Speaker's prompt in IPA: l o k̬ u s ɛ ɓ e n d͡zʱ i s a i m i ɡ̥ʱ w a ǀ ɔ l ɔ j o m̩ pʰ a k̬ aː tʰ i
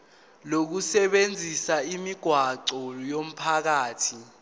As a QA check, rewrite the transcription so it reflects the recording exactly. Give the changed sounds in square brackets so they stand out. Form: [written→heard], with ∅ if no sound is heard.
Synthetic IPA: l o k̬ u s ɛ ɓ e n d͡zʱ i s a i m i ɡ̥ʱ w a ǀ ɔ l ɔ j o m̩ pʰ a k̬ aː tʰ i